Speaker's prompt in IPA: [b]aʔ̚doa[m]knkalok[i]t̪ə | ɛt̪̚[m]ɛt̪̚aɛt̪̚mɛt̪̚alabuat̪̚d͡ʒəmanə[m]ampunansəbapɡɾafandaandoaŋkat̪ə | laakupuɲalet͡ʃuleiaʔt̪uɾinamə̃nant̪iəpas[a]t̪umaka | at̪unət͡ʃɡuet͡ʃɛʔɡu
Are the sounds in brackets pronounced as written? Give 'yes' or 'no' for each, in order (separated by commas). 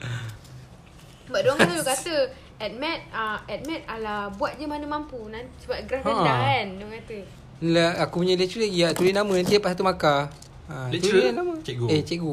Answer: yes, no, no, yes, yes, yes